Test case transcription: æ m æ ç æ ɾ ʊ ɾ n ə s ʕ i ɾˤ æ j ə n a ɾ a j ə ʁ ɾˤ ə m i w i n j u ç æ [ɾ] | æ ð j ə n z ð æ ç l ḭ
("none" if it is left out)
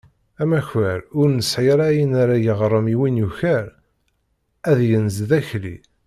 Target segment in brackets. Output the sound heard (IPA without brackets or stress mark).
ɾ